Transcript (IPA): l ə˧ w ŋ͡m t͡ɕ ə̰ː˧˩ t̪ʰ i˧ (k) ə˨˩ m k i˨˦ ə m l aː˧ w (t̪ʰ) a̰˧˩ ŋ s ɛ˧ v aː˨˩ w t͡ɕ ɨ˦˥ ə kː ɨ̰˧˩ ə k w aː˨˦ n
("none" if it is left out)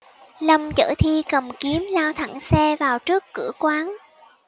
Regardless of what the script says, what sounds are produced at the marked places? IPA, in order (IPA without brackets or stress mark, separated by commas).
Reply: k, t̪ʰ